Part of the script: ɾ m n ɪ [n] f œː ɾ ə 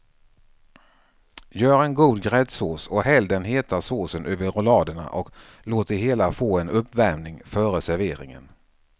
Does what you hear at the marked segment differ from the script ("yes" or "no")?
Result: yes